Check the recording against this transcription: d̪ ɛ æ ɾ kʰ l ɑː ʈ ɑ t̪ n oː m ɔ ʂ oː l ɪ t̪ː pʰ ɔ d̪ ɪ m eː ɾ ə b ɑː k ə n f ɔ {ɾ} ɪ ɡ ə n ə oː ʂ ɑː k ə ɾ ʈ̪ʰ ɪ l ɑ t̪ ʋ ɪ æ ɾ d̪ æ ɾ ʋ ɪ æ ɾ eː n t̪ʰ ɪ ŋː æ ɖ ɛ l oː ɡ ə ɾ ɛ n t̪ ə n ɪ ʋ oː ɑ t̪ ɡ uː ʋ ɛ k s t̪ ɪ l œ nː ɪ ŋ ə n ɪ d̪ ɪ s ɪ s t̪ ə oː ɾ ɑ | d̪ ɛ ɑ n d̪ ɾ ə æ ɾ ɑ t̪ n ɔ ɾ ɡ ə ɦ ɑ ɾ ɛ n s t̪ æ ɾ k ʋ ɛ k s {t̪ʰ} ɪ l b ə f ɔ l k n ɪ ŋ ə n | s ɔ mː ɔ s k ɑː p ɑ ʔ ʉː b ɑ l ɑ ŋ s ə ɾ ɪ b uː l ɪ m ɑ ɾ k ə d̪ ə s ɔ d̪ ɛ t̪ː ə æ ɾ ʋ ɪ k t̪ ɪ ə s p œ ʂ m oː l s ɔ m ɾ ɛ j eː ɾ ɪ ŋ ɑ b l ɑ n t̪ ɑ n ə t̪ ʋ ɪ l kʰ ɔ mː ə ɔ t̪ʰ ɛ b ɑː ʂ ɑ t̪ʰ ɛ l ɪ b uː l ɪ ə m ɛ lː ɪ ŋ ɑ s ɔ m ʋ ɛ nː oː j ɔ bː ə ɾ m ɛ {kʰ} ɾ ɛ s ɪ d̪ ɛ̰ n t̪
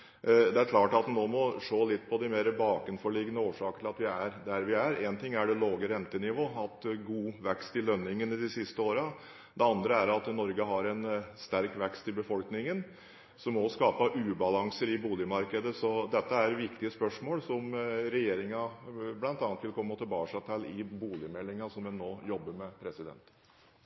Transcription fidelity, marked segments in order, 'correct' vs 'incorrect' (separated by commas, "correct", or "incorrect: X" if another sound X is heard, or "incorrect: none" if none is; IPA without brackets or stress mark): incorrect: ɭ, incorrect: t̪, incorrect: pʰ